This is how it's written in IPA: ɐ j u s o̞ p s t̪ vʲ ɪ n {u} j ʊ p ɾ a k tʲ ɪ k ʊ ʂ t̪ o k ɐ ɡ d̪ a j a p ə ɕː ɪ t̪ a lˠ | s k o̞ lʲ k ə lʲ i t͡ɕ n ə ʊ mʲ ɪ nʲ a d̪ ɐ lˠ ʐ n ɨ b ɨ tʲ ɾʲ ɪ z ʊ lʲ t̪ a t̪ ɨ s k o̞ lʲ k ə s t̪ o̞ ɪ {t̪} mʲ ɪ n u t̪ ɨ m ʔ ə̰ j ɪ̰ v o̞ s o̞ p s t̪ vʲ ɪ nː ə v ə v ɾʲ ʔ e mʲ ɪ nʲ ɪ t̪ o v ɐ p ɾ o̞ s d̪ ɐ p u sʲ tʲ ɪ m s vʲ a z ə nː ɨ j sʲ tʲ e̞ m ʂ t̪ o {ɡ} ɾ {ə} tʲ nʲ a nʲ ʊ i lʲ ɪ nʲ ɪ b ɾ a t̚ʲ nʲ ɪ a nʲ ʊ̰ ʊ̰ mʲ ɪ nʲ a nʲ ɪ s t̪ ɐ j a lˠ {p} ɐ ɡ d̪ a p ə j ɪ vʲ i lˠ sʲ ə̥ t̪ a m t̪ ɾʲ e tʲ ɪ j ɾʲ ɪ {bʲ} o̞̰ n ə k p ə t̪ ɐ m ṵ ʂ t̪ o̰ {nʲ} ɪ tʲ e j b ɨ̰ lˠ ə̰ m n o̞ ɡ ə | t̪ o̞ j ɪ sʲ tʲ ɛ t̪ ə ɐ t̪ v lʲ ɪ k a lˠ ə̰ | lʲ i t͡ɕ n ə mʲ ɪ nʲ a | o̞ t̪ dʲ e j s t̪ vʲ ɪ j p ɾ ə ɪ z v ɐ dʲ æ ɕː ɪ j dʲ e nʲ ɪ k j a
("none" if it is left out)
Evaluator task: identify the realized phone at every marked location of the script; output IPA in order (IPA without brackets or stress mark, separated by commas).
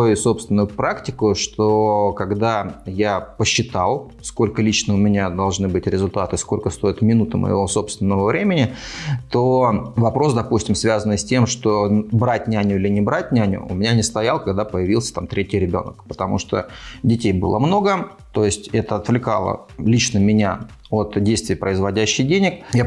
ʊ, t̪, b, a, k, bʲ, dʲ